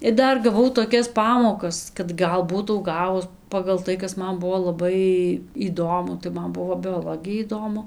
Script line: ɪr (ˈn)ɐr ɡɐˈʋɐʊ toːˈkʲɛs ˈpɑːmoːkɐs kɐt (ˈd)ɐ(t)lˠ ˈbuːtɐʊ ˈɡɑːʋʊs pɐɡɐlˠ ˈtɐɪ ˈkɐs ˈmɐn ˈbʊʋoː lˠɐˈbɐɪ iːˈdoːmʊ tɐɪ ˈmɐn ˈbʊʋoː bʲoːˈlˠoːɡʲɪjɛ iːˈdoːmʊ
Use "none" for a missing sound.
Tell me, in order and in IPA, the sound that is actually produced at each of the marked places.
d, ɡ, none

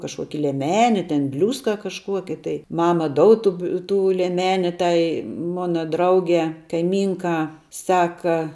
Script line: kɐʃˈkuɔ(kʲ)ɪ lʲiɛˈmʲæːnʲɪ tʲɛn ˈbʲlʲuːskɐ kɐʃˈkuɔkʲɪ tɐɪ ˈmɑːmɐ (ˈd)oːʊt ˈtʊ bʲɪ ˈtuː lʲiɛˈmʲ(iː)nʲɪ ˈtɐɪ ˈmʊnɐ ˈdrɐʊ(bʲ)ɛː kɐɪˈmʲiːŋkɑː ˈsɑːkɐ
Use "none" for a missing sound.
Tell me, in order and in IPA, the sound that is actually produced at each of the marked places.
kʲ, d, æː, ɡʲ

